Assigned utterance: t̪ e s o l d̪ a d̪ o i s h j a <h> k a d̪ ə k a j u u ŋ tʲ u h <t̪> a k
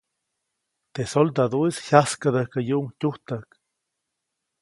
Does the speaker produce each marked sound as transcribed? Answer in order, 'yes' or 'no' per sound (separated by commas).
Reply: no, yes